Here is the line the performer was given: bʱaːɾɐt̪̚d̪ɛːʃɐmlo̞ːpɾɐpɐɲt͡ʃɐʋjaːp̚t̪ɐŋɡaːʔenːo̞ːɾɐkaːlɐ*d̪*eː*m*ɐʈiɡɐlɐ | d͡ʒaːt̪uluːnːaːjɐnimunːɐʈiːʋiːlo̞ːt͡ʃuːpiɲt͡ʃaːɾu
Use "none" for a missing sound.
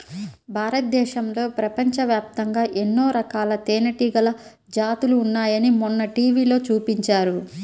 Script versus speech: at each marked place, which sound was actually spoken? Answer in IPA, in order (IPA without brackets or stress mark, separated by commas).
t̪, n